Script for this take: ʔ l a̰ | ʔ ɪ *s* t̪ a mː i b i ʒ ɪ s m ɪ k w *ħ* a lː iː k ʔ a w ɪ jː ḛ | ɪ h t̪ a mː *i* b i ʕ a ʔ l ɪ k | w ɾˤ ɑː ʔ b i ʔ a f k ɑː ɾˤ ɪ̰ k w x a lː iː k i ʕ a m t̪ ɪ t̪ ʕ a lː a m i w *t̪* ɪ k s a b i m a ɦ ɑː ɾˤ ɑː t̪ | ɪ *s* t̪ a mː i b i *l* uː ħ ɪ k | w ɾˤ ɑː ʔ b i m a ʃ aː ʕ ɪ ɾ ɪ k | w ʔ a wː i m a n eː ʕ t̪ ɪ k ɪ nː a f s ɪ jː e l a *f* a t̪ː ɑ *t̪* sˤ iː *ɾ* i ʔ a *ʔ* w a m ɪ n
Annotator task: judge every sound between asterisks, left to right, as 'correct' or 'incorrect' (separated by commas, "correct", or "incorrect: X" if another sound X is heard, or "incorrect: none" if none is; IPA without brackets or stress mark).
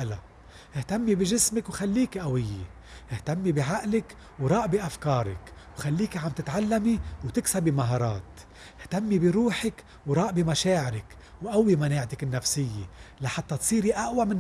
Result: incorrect: h, incorrect: x, correct, correct, incorrect: h, incorrect: ɾ, incorrect: ħ, correct, correct, correct